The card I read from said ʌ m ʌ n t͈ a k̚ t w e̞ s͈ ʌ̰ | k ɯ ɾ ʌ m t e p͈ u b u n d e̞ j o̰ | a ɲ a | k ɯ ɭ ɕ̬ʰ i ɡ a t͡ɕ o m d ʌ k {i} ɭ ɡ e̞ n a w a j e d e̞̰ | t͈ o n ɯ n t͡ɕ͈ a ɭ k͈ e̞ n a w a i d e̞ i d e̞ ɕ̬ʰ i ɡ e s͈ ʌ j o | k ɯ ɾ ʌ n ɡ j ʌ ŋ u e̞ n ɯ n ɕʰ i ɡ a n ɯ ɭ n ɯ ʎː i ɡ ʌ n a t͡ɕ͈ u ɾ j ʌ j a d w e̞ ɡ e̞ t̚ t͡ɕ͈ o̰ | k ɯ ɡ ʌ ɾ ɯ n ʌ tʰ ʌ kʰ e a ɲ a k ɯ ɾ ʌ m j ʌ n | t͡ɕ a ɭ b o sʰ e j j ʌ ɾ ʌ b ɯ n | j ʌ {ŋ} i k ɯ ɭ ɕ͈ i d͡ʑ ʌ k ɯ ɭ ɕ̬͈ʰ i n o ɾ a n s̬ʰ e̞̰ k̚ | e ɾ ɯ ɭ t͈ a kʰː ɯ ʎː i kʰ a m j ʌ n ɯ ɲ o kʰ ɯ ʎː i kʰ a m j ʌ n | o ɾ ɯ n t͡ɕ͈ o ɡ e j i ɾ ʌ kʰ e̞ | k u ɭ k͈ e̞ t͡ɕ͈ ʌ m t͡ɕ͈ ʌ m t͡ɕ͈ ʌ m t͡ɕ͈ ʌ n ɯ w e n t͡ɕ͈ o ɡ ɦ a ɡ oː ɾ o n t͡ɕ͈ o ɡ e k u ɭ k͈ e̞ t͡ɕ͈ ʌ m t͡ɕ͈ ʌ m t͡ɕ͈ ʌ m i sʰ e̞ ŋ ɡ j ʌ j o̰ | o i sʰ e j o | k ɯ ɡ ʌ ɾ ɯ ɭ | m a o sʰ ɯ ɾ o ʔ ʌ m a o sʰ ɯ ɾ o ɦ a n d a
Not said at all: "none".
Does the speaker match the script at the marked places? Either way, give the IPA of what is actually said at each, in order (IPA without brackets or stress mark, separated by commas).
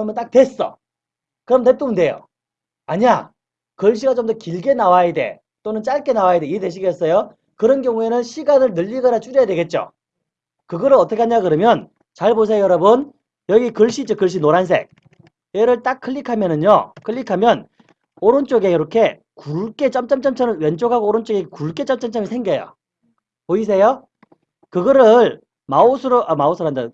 i, ɡ